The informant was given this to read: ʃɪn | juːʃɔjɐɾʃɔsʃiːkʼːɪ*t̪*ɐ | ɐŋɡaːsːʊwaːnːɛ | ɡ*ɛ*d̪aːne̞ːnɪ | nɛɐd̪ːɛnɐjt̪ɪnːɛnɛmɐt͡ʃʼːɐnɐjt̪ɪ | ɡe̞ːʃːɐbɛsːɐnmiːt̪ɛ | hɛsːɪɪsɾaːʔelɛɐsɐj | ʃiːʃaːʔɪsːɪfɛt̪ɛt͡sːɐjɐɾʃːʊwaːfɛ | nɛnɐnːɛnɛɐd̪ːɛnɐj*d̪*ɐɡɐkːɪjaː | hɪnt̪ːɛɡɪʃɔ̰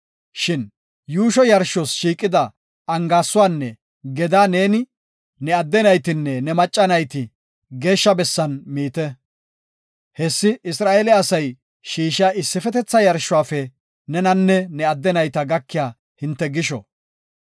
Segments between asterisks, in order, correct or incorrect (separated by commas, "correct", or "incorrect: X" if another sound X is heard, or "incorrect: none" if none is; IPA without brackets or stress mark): incorrect: d̪, correct, incorrect: t̪